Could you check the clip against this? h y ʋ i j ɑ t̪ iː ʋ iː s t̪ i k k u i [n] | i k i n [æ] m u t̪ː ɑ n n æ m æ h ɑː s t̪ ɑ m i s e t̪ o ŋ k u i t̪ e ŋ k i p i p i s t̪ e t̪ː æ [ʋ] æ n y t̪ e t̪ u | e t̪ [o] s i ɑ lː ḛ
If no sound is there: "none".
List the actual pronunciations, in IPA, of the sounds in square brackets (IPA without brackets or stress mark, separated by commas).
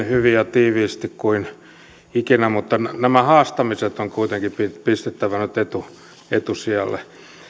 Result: n, æ, ʋ, u